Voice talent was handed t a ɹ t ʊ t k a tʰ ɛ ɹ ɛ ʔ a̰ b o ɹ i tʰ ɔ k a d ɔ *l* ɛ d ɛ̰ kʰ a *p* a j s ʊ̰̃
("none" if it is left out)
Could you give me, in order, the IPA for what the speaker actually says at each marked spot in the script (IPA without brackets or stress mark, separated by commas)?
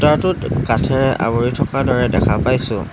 ɹ, p